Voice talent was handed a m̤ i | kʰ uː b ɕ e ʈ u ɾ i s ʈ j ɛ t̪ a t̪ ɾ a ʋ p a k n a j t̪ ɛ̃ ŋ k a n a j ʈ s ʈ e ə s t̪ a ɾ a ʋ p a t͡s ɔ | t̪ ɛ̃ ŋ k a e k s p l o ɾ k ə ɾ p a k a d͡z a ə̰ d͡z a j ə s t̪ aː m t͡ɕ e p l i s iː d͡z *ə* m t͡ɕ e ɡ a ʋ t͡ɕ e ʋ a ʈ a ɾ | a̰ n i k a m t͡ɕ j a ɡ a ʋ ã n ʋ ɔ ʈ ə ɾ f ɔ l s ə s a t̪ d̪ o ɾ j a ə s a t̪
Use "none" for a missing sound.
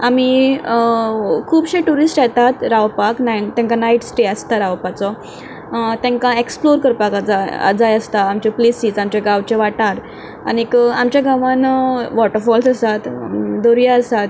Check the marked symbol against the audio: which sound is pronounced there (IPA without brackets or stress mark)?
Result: a